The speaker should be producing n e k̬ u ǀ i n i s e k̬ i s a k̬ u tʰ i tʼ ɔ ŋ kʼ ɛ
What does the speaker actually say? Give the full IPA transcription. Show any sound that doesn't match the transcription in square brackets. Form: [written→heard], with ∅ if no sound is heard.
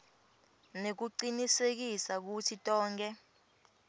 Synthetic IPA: n e k̬ u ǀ i n i s e k̬ i s a k̬ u tʰ i tʼ [ɔ→ɔː] ŋ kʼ ɛ